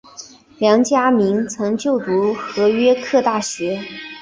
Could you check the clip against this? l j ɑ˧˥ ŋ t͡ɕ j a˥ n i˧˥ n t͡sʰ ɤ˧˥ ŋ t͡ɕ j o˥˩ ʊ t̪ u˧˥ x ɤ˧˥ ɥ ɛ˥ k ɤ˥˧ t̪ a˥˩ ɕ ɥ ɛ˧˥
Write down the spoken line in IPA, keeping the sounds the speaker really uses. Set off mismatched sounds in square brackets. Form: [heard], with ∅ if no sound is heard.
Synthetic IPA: l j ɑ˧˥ ŋ t͡ɕ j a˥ [m] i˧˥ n t͡sʰ ɤ˧˥ ŋ t͡ɕ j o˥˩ ʊ t̪ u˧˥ x ɤ˧˥ ɥ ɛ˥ [kʰ] ɤ˥˧ t̪ a˥˩ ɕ ɥ ɛ˧˥

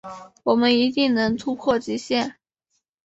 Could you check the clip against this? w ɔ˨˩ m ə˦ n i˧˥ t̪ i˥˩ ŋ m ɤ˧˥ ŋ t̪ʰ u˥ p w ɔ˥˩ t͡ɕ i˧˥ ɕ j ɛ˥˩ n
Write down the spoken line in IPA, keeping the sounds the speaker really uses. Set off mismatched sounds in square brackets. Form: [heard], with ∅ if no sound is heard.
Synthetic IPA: w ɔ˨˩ m ə˦ n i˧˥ t̪ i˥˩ ŋ [n] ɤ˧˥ ŋ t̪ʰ u˥ [pʰ] w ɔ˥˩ t͡ɕ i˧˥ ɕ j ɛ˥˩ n

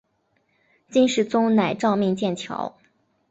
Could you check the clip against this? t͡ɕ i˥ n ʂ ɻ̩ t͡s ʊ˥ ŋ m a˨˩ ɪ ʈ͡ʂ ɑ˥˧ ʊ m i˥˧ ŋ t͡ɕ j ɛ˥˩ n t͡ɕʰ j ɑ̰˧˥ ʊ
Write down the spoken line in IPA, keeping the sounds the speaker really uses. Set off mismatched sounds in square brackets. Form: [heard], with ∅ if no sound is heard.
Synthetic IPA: t͡ɕ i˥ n ʂ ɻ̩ t͡s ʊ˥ ŋ [n] a˨˩ ɪ ʈ͡ʂ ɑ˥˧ ʊ m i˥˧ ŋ t͡ɕ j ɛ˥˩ n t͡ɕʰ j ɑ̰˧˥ ʊ

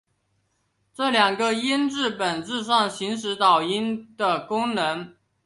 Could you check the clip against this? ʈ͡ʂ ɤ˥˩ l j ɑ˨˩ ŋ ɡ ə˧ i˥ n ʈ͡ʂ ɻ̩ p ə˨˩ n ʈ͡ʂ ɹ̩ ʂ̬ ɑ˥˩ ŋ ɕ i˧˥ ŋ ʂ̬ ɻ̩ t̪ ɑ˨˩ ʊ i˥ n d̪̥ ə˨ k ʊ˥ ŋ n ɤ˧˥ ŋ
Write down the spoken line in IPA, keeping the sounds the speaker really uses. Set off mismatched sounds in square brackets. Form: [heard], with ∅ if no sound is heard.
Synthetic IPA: ʈ͡ʂ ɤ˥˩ l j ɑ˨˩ ŋ ɡ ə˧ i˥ n ʈ͡ʂ ɻ̩ p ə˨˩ n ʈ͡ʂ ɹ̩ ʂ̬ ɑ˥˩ ŋ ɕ i˧˥ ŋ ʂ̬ ɻ̩ t̪ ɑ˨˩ ʊ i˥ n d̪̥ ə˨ k ʊ˥ ŋ n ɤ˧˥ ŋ

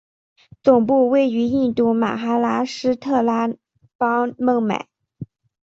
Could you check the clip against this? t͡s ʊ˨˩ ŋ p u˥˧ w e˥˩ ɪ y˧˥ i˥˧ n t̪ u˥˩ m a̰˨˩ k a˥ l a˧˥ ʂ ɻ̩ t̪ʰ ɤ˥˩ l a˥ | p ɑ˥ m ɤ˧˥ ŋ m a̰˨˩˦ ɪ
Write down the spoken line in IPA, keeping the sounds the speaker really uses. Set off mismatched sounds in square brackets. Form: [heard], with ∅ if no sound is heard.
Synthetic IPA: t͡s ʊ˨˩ ŋ p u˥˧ w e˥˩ ɪ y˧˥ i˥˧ n t̪ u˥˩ m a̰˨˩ [x] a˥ l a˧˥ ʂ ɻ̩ t̪ʰ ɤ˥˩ l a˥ | p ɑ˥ m [ɤ˥˩] ŋ m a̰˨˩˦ ɪ

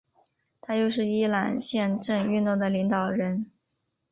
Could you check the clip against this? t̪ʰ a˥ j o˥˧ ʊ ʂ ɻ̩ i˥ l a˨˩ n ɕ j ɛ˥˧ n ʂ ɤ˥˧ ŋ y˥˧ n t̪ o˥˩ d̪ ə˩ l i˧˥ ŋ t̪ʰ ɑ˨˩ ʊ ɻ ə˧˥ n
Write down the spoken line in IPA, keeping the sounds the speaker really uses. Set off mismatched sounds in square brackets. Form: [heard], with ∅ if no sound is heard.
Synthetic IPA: t̪ʰ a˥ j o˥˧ ʊ ʂ ɻ̩ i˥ l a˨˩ n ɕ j ɛ˥˧ n [ʈ͡ʂ] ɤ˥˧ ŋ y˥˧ n t̪ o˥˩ d̪ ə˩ l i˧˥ ŋ [t̪] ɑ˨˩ ʊ ɻ ə˧˥ n

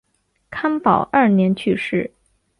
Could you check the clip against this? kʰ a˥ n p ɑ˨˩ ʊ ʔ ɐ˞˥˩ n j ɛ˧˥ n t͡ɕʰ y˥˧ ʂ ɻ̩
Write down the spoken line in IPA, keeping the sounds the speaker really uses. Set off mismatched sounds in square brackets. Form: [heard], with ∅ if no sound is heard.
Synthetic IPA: kʰ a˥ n p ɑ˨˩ ʊ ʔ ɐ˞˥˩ n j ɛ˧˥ n t͡ɕʰ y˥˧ ʂ ɻ̩

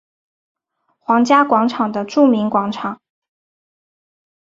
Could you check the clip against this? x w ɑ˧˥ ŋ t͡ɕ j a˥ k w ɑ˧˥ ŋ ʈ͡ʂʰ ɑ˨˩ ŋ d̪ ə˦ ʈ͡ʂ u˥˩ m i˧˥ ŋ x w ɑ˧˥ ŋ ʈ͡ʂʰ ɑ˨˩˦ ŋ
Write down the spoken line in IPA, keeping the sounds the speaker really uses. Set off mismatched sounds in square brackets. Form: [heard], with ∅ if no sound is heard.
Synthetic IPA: x w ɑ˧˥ ŋ t͡ɕ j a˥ k w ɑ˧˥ ŋ ʈ͡ʂʰ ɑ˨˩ ŋ d̪ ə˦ ʈ͡ʂ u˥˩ m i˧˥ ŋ [k] w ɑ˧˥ ŋ ʈ͡ʂʰ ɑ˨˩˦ ŋ

